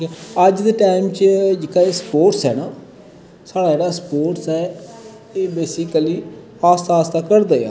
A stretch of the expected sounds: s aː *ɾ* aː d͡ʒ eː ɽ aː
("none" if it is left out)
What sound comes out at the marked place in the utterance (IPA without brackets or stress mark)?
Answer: ɽ